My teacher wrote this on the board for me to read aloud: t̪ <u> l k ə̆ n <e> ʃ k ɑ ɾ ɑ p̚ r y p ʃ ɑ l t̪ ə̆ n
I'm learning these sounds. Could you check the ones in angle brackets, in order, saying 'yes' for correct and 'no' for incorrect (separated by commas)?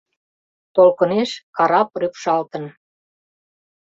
no, yes